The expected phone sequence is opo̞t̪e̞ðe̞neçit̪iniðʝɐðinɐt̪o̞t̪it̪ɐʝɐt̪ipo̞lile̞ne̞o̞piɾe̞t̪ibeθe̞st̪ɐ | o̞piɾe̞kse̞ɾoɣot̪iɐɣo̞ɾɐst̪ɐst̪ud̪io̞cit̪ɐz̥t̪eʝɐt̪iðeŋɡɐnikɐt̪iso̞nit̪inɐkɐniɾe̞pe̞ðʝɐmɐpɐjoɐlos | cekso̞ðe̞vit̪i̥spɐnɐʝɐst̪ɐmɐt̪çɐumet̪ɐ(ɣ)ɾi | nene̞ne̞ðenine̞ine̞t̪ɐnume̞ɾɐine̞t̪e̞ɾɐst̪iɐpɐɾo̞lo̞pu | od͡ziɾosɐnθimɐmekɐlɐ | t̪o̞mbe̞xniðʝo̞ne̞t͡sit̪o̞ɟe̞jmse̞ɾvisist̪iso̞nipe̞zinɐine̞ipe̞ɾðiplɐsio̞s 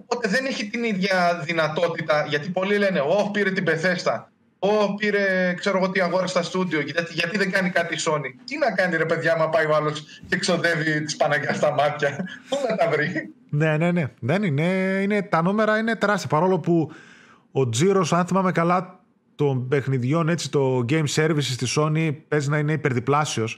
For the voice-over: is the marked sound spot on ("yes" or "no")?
no